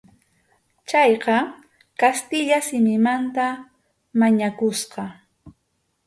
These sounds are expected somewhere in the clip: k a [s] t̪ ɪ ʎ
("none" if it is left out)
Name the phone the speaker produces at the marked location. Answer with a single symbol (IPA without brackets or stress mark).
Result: s